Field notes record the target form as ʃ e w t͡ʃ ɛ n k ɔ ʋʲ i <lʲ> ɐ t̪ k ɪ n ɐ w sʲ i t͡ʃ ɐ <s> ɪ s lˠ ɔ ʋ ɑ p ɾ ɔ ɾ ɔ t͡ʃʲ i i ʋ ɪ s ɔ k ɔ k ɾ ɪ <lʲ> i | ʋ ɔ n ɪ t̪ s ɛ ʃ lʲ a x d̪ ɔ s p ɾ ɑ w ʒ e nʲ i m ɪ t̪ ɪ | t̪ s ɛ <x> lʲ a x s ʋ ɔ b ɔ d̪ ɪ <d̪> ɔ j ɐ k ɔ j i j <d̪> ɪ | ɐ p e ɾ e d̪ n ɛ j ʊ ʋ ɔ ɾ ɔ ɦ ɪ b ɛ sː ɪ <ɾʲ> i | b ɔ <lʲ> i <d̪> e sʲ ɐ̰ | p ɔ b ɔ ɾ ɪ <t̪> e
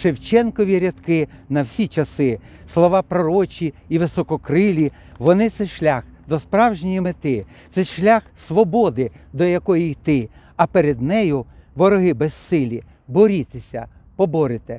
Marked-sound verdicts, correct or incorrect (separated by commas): incorrect, correct, correct, incorrect, correct, incorrect, incorrect, incorrect, incorrect, correct